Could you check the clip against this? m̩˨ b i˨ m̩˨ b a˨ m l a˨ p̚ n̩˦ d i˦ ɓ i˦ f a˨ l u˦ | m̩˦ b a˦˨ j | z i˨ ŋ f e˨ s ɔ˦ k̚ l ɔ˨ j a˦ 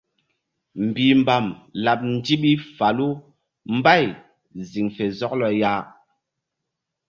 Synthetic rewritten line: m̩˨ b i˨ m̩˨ b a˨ m l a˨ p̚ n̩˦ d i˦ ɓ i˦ f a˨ l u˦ | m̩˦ b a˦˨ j | z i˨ ŋ f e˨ z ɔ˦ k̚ l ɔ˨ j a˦